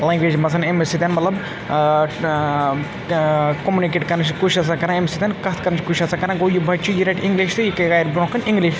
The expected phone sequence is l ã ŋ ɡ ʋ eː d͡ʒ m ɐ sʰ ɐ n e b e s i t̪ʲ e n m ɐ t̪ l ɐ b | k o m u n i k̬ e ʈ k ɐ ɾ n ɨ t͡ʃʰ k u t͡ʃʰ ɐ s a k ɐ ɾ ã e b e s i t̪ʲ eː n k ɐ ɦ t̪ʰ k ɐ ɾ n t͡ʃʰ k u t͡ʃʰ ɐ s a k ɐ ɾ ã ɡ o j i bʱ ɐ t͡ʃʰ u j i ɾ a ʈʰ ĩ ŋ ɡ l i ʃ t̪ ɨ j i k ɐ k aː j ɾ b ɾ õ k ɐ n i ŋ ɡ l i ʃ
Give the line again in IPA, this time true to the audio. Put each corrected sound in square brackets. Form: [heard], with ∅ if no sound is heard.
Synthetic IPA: l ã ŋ ɡ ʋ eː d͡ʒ m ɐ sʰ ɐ n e [m] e s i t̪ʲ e n m ɐ t̪ l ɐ b | k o m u n i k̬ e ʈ k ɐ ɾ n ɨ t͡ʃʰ k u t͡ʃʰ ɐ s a k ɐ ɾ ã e [m] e s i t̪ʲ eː n k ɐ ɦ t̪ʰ k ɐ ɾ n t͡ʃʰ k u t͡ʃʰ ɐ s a k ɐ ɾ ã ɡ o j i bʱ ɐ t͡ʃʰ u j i ɾ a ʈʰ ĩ ŋ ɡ l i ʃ t̪ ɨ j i k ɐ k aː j ɾ b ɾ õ k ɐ n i ŋ ɡ l i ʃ